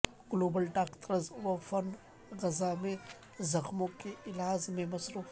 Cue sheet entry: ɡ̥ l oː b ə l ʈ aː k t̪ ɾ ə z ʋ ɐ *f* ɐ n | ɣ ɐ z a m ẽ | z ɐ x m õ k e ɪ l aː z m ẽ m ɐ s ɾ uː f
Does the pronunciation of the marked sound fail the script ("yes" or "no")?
no